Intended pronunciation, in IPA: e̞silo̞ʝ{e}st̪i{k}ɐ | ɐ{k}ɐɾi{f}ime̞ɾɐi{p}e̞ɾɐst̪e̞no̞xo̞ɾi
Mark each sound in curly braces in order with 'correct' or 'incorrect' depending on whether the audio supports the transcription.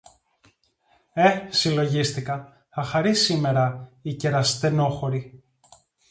incorrect: i, correct, incorrect: x, incorrect: s, incorrect: c

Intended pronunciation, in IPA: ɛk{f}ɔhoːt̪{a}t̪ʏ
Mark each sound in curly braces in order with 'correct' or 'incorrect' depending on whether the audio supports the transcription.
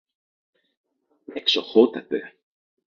incorrect: s, correct

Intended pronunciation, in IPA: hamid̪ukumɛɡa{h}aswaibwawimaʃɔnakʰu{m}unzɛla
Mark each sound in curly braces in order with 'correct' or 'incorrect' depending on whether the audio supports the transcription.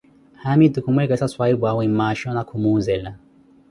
incorrect: s, correct

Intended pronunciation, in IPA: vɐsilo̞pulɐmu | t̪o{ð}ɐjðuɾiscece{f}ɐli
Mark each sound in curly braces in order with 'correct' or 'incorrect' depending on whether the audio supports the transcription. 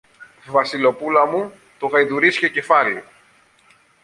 incorrect: ɣ, correct

